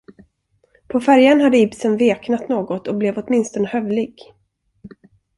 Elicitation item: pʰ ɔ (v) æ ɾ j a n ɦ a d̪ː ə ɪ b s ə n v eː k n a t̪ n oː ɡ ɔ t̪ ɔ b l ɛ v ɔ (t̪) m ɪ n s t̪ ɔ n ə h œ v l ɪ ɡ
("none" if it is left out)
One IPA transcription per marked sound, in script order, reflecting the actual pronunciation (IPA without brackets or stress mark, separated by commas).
f, t̪